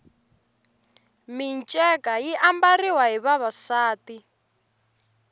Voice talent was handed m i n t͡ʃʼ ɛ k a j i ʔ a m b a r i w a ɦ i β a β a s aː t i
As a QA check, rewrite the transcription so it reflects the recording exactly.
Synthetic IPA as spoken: m i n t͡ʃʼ ɛ k a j i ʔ a m b a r i w a ɦ i β a β a s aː t i